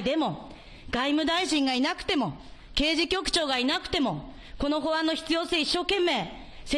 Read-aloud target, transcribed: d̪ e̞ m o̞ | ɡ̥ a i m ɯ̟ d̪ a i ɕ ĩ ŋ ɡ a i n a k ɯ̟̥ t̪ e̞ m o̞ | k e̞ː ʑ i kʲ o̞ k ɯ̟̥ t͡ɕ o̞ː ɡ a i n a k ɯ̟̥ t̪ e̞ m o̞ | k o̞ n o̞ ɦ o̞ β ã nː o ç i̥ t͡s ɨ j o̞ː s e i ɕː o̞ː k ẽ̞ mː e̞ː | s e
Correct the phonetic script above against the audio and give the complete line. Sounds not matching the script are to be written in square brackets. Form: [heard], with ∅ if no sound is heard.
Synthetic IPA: d̪ e̞ m o̞ | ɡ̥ a i m ɯ̟ d̪ a i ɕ ĩ ŋ ɡ a i n a k ɯ̟̥ t̪ e̞ m o̞ | k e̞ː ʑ i kʲ o̞ k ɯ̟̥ t͡ɕ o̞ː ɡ a i n a k ɯ̟̥ t̪ e̞ m o̞ | k o̞ n o̞ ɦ o̞ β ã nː o ç i̥ t͡s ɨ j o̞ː s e i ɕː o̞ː k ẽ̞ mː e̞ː | s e